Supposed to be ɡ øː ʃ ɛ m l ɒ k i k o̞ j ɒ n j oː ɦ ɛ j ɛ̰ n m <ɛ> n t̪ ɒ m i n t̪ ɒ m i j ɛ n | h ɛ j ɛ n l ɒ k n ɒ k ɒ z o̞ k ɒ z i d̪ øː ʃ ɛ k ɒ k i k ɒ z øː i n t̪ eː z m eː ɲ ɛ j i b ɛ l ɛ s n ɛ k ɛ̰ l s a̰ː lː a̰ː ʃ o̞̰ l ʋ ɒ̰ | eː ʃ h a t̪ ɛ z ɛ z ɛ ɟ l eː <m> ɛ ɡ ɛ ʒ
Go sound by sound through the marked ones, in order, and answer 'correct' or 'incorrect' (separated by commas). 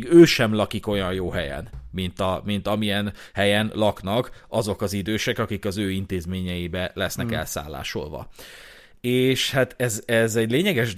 incorrect, incorrect